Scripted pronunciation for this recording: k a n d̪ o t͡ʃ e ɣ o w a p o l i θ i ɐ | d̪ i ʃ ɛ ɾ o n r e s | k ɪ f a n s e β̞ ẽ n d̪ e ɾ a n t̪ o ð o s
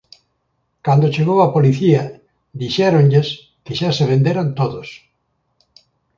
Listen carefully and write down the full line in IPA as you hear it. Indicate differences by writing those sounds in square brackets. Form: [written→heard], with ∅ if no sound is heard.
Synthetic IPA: k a n d̪ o t͡ʃ e ɣ o w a p o l i θ i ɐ | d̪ i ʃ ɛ ɾ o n [r→ʎ] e s | k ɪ [f→ʃ] a [n→∅] s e β̞ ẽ n d̪ e ɾ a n t̪ o ð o s